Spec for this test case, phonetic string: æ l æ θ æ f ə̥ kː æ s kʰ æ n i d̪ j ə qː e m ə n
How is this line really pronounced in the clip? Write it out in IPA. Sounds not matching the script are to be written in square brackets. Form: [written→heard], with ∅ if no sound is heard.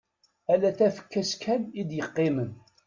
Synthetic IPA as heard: æ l æ θ æ f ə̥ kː æ s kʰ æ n i d̪ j ə qː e m ə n